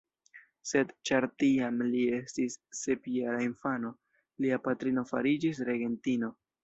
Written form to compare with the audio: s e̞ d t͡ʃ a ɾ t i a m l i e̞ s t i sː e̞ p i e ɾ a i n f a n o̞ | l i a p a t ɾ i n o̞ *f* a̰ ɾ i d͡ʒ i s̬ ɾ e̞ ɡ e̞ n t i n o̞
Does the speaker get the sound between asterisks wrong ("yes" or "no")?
no